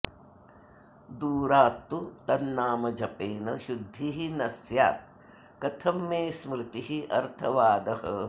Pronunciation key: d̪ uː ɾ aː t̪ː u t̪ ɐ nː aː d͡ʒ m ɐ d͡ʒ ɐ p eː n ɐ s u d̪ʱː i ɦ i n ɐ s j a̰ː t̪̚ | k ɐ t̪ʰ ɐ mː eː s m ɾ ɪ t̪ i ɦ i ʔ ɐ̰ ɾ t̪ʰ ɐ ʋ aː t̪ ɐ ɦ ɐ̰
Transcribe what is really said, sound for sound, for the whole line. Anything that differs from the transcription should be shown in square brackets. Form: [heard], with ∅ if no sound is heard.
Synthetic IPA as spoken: d̪ uː ɾ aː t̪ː u t̪ ɐ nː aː [∅] m ɐ d͡ʒ ɐ p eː n ɐ [ʃ] u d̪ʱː i ɦ i n ɐ s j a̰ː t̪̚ | k ɐ t̪ʰ ɐ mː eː s m ɾ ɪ t̪ i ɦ i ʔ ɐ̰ ɾ t̪ʰ ɐ ʋ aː [d̪] ɐ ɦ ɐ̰